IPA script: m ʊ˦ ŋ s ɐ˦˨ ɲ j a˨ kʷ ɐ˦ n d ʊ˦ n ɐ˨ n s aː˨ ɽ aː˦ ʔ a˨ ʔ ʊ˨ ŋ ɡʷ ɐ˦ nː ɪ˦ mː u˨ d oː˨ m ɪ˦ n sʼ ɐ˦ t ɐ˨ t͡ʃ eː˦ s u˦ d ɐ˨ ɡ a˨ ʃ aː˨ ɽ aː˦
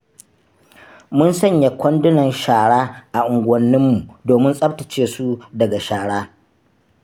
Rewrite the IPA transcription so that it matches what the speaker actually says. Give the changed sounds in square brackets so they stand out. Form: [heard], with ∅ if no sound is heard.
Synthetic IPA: m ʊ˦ [n] s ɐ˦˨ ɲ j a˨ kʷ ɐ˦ n d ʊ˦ n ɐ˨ n [ʃ] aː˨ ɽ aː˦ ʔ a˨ ʔ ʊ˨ ŋ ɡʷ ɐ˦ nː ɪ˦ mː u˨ d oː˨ m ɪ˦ n sʼ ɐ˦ t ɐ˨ t͡ʃ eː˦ s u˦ d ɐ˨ ɡ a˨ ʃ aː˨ ɽ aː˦